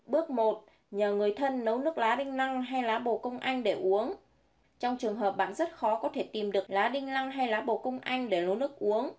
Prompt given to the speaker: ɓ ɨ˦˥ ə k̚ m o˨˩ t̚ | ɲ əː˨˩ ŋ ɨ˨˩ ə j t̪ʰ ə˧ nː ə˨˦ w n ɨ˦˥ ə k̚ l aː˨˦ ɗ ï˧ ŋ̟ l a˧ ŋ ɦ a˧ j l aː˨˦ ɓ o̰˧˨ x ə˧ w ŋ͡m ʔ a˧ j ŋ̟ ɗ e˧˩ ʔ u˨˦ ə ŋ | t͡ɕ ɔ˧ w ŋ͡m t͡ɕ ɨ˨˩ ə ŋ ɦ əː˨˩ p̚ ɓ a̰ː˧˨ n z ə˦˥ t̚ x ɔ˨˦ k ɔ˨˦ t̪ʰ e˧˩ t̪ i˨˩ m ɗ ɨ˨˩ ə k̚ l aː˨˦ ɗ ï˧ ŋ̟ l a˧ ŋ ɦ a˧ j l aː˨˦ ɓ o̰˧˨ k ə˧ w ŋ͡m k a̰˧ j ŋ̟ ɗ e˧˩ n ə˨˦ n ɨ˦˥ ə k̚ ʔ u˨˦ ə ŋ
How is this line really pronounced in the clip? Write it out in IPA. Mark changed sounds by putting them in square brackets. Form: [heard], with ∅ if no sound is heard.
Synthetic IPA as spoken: ɓ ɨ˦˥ ə k̚ m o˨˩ t̚ | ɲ əː˨˩ ŋ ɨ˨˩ ə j t̪ʰ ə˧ nː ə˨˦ w n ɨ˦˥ ə k̚ l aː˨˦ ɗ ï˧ ŋ̟ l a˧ ŋ ɦ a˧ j l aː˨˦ ɓ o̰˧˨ [k] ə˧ w ŋ͡m ʔ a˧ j ŋ̟ ɗ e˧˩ ʔ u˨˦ ə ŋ | t͡ɕ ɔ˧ w ŋ͡m t͡ɕ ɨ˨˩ ə ŋ ɦ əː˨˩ p̚ ɓ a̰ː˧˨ n z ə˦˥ t̚ x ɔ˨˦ k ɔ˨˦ t̪ʰ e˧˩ t̪ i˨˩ m ɗ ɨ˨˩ ə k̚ l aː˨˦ ɗ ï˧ ŋ̟ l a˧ ŋ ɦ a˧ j l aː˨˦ ɓ o̰˧˨ k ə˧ w ŋ͡m [ʔ] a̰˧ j ŋ̟ ɗ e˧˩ n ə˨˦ n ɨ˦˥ ə k̚ ʔ u˨˦ ə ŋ